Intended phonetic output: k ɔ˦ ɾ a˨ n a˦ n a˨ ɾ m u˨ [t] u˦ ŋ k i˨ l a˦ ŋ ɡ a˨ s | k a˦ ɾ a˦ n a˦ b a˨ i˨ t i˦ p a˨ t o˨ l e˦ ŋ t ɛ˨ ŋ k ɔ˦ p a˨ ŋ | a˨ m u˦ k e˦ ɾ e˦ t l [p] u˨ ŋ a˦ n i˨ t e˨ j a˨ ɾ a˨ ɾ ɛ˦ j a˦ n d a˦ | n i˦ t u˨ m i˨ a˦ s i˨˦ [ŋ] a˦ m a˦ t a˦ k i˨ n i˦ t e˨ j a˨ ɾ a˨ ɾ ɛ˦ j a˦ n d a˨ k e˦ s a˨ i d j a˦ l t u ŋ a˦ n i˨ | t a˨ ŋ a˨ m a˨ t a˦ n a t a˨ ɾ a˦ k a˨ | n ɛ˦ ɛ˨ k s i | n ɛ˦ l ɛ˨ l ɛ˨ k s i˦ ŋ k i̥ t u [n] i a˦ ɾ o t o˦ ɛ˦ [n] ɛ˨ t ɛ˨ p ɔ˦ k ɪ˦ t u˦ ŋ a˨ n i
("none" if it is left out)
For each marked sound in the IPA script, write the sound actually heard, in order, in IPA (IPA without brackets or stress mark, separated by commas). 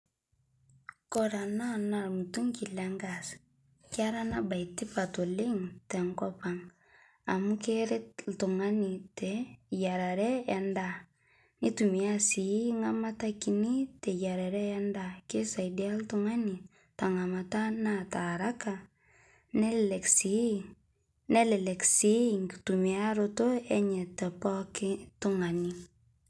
t, t, ŋ, m, ɲ